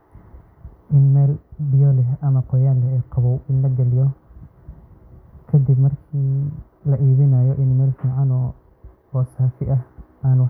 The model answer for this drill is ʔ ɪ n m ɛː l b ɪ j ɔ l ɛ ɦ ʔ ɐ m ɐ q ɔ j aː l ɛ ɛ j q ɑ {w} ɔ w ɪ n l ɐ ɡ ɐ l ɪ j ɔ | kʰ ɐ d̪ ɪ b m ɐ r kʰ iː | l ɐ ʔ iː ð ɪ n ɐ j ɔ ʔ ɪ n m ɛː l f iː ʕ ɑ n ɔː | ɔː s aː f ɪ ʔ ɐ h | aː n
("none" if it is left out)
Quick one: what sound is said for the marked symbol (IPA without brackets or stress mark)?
β